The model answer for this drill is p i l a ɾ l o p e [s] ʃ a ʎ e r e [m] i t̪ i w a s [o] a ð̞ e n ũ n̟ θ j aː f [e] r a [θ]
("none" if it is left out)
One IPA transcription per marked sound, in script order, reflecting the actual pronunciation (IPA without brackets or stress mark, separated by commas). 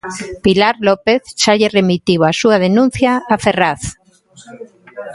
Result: θ, m, u, e, θ